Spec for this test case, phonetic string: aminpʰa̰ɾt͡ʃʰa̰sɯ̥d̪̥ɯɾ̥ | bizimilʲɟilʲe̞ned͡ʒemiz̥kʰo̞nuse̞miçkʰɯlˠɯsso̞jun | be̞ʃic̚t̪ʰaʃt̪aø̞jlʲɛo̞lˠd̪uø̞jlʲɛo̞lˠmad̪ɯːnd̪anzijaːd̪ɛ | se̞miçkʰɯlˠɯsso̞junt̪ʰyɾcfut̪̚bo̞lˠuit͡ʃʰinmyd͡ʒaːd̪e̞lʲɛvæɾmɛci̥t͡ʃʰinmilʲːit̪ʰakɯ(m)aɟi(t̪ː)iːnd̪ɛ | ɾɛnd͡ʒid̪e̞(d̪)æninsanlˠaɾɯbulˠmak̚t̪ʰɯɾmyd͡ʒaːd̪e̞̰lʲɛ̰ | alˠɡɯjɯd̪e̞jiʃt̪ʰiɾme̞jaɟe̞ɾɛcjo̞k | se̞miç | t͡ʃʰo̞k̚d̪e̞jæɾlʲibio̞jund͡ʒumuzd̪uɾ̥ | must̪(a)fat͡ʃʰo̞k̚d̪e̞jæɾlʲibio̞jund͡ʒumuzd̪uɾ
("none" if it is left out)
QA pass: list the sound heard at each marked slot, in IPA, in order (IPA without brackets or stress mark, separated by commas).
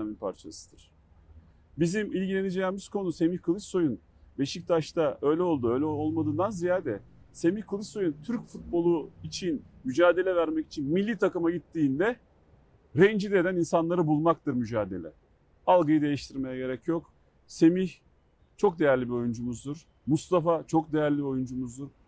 m, t̪ː, d̪, a